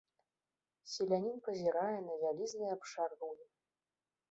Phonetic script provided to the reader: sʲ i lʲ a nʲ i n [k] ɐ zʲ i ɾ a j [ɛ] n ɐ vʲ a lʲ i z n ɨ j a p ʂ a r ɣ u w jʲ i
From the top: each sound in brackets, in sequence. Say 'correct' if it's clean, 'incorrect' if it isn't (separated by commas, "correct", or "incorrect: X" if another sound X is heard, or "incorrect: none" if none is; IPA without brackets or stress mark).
incorrect: p, correct